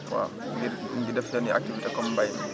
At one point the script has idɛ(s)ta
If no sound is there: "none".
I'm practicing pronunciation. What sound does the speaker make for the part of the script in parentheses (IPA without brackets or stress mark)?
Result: f